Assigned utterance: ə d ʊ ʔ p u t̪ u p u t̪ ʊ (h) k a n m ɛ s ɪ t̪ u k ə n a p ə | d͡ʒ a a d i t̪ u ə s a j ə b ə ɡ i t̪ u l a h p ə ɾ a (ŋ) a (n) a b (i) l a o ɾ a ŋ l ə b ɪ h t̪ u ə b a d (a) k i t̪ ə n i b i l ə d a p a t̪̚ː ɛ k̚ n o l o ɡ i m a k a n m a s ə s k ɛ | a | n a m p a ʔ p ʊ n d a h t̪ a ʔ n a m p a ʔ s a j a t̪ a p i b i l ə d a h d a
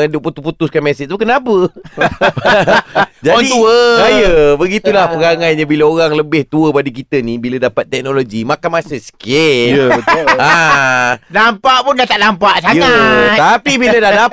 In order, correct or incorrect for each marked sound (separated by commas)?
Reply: incorrect, correct, incorrect, correct, incorrect